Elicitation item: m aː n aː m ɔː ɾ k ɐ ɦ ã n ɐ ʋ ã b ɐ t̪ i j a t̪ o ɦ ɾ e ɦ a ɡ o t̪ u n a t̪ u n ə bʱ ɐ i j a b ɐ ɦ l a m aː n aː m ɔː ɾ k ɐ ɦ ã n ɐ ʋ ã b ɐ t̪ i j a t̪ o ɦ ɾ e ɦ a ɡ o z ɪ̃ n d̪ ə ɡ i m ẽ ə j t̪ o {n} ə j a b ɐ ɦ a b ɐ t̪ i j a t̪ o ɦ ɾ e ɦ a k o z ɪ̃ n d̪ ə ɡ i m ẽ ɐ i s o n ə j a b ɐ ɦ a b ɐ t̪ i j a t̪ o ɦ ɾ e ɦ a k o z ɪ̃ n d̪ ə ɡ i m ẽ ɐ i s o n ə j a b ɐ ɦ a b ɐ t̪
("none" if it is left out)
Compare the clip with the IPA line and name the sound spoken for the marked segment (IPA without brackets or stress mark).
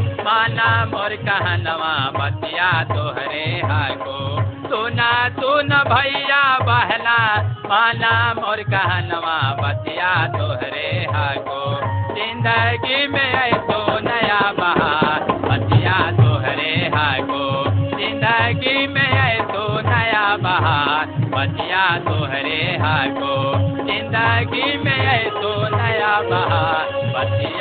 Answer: n